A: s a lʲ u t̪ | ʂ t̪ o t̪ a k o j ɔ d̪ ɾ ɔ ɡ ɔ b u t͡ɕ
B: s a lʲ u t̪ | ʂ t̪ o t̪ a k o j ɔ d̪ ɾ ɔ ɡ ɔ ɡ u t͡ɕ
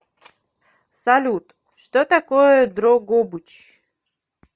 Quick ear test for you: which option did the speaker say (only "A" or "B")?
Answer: A